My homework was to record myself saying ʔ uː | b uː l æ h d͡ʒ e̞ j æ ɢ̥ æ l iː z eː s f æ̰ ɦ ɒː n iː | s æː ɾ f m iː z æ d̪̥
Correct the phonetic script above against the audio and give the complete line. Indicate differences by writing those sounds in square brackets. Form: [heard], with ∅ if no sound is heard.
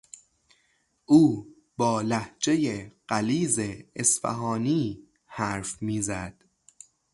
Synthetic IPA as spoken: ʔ uː | b [ɒː] l æ h d͡ʒ e̞ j [e] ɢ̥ æ l iː z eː s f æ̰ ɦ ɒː n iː | [h] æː ɾ f m iː z æ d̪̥